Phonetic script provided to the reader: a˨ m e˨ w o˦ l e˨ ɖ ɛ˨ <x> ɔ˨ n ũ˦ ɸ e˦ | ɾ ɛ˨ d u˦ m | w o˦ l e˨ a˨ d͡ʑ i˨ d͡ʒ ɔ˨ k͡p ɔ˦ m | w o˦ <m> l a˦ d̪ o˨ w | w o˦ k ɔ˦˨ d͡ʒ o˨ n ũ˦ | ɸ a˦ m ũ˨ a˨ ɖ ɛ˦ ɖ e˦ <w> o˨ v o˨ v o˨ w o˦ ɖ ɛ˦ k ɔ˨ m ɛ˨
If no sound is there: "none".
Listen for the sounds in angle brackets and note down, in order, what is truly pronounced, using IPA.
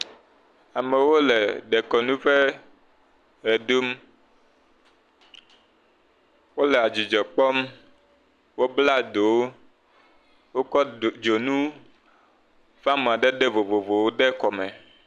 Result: k, b, v

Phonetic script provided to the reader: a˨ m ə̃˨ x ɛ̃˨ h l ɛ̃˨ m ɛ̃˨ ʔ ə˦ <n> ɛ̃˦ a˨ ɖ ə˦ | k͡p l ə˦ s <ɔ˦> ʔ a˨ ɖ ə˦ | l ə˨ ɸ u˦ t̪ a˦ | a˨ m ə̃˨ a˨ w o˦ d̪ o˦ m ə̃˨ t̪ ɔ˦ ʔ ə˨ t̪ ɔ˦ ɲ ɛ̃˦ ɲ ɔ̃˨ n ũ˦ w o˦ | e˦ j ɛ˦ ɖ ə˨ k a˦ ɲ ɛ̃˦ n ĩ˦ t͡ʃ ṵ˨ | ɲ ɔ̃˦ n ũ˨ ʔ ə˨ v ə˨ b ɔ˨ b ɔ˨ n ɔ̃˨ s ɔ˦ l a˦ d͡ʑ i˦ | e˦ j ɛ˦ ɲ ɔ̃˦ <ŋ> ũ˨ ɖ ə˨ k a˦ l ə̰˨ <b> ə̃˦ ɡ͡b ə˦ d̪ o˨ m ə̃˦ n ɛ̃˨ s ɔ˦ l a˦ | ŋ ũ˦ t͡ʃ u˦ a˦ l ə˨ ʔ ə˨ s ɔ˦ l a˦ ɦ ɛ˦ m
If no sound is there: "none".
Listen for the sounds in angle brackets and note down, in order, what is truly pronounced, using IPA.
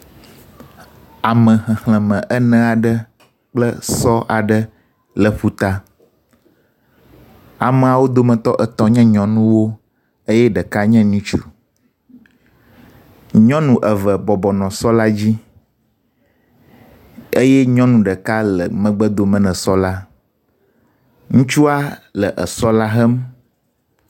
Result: n, ɔ˦, n, m

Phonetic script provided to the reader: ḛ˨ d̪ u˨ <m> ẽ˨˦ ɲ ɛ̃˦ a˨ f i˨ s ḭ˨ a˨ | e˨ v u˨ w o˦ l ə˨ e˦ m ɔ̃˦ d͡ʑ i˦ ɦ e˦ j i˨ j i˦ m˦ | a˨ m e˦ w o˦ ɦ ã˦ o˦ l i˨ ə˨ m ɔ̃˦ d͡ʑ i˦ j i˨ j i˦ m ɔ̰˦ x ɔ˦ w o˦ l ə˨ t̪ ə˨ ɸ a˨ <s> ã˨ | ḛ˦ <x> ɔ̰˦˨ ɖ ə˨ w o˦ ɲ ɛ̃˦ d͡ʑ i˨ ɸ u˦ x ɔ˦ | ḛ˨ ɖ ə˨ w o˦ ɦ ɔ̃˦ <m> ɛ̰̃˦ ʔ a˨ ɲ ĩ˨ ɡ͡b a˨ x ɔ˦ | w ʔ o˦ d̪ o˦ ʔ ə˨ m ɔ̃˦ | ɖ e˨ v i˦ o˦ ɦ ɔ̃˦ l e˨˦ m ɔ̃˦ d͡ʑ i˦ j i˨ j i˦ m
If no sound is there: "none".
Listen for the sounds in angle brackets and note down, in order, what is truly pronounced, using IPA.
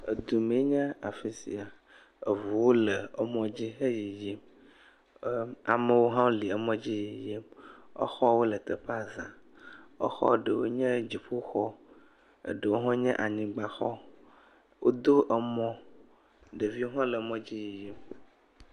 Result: m, z, x, ɲ

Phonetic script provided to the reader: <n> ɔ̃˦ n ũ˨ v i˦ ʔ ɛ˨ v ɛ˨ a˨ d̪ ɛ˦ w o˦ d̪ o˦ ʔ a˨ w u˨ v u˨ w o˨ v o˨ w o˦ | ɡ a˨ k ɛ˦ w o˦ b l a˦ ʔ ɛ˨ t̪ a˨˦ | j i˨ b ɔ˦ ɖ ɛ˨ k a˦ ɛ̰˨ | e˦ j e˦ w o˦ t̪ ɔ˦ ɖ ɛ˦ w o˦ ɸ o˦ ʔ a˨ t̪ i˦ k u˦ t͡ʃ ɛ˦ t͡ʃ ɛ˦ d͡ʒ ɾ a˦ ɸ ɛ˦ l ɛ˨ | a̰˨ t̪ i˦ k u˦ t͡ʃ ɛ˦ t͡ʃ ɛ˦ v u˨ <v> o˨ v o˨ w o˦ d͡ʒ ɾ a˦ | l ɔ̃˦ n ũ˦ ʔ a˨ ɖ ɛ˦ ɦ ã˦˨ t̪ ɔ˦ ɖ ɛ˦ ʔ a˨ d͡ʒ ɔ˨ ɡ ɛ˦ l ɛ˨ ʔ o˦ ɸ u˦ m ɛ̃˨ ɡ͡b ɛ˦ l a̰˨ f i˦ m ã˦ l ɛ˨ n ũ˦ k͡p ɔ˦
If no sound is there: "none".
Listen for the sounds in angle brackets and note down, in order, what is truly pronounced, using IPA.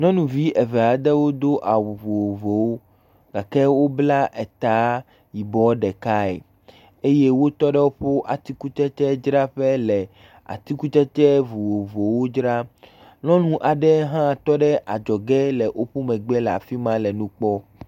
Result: n, w

